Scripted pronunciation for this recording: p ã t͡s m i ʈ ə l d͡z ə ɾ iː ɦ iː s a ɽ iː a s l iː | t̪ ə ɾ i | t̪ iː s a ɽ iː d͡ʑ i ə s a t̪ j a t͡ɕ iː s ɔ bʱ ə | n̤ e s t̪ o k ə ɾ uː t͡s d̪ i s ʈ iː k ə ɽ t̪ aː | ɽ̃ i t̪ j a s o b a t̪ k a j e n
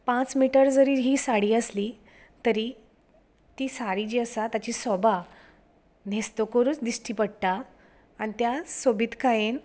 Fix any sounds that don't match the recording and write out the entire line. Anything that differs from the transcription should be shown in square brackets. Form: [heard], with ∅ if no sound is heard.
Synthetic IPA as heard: p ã t͡s m i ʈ ə [ɾ] d͡z ə ɾ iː ɦ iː s a ɽ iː [ə] s l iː | t̪ ə ɾ i | t̪ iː s a ɽ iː d͡ʑ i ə s a t̪ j a t͡ɕ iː s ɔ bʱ [a] | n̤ e s t̪ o k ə ɾ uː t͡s d̪ i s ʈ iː [p] ə ɽ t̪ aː | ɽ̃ i t̪ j a s o b [i] t̪ k a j e n